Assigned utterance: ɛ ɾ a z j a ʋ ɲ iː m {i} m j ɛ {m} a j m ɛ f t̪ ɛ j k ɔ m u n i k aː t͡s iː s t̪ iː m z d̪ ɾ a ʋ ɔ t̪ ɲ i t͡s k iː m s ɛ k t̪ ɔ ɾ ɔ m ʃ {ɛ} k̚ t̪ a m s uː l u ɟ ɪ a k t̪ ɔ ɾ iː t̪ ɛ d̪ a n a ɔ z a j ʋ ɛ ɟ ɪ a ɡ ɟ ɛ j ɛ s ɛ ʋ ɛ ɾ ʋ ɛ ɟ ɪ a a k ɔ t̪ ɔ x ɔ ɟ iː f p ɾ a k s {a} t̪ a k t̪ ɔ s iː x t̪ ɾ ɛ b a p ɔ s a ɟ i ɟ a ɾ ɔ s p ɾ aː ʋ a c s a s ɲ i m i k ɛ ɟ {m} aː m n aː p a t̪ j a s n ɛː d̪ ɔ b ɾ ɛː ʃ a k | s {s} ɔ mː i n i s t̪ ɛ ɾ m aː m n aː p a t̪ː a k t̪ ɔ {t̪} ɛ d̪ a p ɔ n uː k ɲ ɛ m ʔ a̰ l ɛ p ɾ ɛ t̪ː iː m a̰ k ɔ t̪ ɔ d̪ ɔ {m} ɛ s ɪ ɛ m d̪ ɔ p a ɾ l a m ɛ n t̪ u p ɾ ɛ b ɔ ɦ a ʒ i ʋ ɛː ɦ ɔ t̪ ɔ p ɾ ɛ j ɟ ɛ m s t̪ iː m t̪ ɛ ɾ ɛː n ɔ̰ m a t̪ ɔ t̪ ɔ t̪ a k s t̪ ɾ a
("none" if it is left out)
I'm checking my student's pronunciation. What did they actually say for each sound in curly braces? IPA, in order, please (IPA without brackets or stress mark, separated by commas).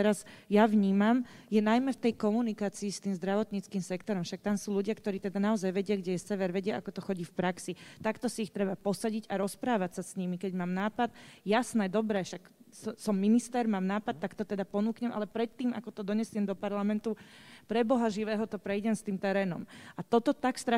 a, n, a, i, m, s, t̪, ɲ